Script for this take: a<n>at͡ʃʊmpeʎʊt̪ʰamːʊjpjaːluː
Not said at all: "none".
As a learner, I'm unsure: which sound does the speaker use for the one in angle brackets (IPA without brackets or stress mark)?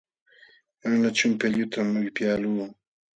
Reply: n